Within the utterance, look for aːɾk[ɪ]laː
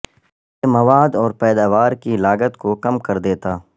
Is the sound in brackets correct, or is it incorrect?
incorrect